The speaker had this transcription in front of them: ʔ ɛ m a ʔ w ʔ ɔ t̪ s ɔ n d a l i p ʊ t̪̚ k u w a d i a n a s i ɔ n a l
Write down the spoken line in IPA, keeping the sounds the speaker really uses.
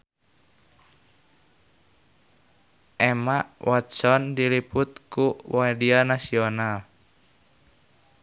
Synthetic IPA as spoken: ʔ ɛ m a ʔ w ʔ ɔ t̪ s ɔ n d i l i p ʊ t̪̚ k u w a d i a n a s i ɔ n a l